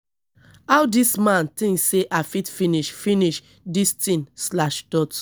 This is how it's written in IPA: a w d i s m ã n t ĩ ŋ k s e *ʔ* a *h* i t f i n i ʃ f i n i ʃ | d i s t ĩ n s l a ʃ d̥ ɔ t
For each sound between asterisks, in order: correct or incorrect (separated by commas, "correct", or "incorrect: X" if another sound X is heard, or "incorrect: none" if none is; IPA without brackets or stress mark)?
correct, incorrect: f